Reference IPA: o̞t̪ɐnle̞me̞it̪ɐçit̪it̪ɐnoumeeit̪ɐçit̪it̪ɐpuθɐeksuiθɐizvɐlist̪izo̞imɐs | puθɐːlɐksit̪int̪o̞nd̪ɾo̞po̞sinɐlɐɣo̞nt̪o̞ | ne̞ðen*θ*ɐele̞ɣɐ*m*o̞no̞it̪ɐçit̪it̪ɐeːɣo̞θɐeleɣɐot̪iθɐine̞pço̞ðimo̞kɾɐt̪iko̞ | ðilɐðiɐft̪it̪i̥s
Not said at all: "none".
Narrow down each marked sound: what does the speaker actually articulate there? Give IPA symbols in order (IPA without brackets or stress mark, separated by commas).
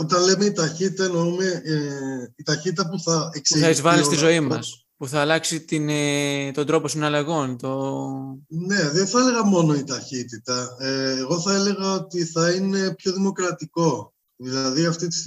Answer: θ, m